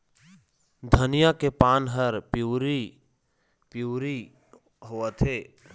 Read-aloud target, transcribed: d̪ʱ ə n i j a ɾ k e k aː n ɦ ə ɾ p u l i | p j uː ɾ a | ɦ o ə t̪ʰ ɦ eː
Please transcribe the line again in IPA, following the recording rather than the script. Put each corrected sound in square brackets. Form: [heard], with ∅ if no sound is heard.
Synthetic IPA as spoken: d̪ʱ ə n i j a [∅] k e [p] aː n ɦ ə ɾ p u [ɾ] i | p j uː ɾ [i] | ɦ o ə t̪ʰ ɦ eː